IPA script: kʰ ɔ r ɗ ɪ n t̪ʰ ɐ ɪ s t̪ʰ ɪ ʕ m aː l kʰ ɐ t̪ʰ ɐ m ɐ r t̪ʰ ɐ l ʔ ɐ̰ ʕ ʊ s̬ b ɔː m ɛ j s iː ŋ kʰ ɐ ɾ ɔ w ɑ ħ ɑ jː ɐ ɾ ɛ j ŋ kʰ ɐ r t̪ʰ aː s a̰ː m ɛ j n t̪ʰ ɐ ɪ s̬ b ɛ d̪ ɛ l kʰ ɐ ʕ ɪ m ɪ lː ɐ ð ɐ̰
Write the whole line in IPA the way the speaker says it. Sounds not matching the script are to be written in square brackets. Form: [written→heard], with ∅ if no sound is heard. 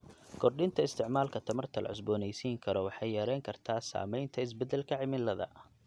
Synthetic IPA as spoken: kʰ ɔ r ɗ ɪ n t̪ʰ ɐ ɪ s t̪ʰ ɪ ʕ m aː l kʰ ɐ t̪ʰ ɐ m ɐ r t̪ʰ ɐ l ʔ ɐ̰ ʕ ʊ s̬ b ɔː [m→n] ɛ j s iː ŋ kʰ ɐ ɾ ɔ w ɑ ħ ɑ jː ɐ ɾ ɛ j ŋ kʰ ɐ r t̪ʰ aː s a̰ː m ɛ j n t̪ʰ ɐ ɪ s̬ b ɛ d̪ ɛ l kʰ ɐ ʕ ɪ m ɪ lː ɐ ð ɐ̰